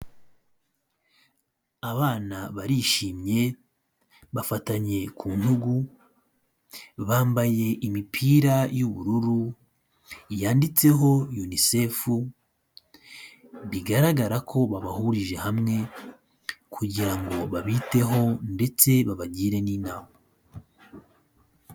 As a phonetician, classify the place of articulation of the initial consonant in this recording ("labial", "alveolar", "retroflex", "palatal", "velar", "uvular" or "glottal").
labial